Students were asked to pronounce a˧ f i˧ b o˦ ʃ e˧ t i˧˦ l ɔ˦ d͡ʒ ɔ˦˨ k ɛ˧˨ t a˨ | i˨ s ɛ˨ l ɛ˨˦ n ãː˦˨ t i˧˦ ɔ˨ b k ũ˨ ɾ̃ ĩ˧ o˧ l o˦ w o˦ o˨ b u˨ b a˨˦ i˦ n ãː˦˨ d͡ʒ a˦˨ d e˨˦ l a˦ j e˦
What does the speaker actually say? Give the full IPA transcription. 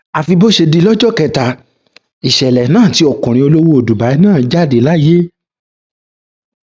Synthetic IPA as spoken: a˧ f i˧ b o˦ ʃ e˧ d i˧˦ l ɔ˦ d͡ʒ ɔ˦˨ k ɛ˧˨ t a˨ | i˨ ʃ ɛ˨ l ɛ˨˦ n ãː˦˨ t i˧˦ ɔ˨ k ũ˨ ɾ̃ ĩ˧ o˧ l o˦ w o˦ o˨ d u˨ b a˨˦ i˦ n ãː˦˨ d͡ʒ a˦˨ d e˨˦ l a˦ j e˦